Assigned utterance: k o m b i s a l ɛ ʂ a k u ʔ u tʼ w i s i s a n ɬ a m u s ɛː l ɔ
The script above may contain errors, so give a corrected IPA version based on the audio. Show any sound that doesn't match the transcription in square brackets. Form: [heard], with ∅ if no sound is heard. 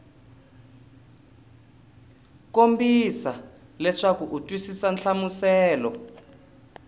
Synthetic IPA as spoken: k o m b i s a l ɛ ʂ a k u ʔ u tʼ w i s i s a n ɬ a m u s ɛː l ɔ